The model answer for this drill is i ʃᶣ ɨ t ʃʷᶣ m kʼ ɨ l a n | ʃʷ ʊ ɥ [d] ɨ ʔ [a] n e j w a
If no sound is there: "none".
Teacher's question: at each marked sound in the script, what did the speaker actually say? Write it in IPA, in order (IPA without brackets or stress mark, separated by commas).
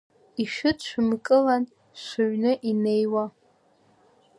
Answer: n, i